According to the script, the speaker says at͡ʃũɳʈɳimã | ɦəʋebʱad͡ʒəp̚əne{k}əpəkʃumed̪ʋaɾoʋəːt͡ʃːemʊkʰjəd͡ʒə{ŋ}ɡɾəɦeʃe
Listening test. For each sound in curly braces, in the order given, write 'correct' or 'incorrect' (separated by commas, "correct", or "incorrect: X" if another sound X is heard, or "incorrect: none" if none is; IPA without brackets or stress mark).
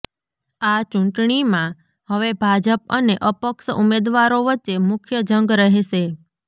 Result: incorrect: ʔ, correct